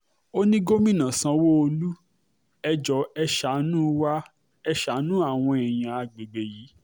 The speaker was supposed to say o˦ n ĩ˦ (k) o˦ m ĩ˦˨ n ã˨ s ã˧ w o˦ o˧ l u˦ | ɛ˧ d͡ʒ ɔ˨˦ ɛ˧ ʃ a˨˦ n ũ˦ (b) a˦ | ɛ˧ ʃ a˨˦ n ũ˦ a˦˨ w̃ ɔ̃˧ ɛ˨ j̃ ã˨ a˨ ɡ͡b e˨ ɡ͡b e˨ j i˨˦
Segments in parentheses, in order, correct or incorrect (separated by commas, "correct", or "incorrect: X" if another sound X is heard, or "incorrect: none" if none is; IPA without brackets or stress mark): incorrect: ɡ, incorrect: w